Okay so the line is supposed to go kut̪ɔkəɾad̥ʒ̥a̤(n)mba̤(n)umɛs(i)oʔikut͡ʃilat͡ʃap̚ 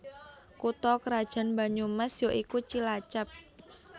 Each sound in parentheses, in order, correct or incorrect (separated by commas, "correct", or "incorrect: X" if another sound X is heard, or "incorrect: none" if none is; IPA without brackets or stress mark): correct, incorrect: ɲ, incorrect: j